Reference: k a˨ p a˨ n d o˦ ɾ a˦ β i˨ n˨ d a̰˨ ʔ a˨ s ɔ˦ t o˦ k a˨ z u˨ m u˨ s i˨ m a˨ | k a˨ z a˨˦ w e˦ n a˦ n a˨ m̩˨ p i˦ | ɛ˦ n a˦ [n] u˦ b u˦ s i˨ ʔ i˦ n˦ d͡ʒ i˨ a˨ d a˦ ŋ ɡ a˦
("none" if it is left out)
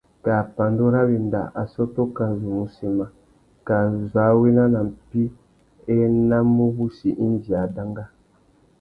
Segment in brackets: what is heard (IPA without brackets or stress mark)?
m